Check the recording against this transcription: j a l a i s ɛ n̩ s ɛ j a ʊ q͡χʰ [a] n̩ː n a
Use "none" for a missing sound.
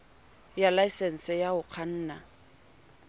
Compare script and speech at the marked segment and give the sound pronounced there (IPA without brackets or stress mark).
a